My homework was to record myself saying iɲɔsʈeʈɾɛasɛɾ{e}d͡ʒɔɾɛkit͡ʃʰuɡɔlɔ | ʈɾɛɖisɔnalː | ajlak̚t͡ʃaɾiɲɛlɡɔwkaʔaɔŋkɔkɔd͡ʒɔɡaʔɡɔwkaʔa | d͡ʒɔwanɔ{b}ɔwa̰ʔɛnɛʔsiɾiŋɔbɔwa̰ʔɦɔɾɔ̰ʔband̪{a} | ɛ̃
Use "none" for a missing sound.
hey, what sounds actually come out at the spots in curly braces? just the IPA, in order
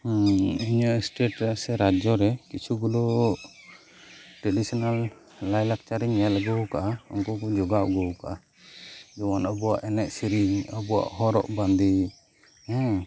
a, b, i

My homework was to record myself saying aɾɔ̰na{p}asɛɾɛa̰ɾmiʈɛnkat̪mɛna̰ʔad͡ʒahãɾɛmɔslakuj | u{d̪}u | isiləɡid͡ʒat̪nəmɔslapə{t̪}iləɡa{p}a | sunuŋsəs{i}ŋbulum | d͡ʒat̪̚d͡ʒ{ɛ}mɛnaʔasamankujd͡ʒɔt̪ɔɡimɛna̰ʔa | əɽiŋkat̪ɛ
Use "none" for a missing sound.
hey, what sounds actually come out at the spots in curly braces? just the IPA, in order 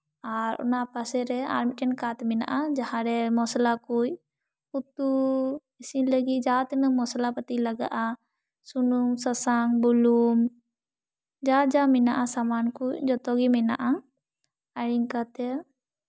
p, t̪, t̪, ʔ, a, a

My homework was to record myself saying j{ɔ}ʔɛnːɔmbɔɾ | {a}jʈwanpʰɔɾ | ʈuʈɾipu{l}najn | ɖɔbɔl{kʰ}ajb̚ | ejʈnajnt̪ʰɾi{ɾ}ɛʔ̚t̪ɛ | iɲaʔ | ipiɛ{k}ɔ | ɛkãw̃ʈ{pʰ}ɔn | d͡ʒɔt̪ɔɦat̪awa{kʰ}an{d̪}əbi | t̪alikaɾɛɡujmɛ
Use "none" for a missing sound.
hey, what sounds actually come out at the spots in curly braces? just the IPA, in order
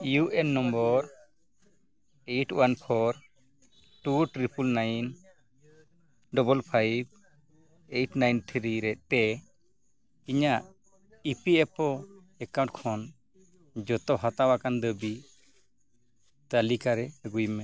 u, e, l, pʰ, ɾ, p, kʰ, k, d̪

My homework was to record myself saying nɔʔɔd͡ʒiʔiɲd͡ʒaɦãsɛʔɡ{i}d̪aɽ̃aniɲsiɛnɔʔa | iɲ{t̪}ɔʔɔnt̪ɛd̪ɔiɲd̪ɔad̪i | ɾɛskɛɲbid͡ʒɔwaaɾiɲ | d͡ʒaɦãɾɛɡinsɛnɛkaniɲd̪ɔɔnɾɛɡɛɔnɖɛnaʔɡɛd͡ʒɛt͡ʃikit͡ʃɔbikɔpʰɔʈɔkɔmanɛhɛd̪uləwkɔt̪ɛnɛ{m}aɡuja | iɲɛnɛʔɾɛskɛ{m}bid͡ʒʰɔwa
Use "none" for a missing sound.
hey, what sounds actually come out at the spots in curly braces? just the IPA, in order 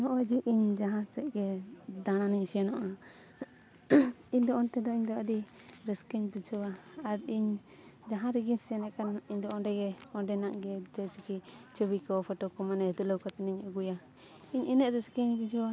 ɛ, d̪, ɲ, ɲ

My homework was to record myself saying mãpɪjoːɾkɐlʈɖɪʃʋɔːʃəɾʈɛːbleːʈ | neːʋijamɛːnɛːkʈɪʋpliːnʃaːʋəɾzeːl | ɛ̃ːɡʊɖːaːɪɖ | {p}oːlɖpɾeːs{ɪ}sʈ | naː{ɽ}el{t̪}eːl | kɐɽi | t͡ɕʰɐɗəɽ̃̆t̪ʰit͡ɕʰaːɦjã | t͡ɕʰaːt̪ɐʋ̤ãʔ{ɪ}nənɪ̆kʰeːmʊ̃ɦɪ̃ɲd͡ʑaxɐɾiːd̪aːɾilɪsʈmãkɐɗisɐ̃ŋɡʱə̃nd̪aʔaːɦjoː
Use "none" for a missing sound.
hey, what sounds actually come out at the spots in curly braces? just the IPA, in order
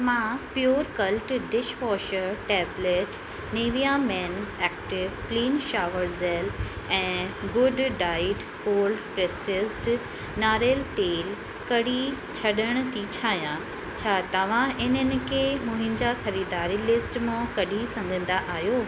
k, ɪ, ɾ, t̪, ɪ

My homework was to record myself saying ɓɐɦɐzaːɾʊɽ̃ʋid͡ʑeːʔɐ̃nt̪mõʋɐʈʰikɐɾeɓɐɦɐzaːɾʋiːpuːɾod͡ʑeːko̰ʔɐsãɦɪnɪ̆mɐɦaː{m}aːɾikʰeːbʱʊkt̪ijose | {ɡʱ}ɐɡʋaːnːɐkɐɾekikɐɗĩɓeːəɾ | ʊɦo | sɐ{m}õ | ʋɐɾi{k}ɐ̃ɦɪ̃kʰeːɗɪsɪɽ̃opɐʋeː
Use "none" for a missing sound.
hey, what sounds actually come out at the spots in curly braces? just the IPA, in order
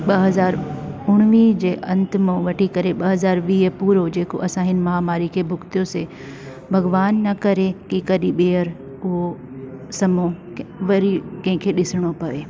m, bʱ, m, k

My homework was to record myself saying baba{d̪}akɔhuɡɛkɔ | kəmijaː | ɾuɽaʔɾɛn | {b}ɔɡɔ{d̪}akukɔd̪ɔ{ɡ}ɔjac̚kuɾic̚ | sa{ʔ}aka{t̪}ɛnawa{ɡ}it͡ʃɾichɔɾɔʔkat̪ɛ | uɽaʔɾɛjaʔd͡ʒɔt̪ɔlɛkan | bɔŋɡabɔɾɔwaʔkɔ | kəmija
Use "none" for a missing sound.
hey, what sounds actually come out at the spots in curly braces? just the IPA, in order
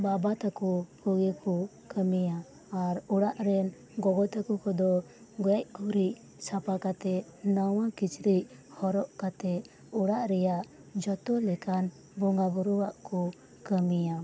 t̪, ɡ, t̪, ɡ, p, t̪, k

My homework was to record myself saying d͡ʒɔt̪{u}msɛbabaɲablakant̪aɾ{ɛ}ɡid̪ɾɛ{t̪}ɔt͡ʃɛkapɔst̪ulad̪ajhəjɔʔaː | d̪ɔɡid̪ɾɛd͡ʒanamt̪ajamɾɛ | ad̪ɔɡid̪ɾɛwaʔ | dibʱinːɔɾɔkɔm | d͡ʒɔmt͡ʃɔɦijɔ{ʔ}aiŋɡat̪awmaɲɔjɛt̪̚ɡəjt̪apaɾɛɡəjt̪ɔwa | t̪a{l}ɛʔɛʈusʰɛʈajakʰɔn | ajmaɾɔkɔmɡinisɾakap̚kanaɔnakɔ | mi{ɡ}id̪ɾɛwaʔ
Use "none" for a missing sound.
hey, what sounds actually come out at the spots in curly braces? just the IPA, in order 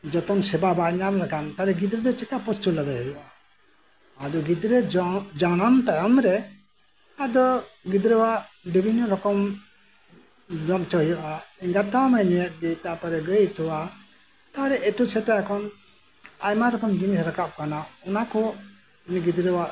ɔ, ɛ, d̪, ʔ, ɾ, ɡ

